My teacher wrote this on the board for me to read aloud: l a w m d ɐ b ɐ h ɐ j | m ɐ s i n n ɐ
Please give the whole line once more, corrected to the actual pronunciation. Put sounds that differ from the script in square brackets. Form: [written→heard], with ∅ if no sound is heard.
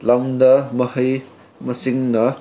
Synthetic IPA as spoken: l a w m d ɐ [b→m] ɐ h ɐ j | m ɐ s i [n→ŋ] n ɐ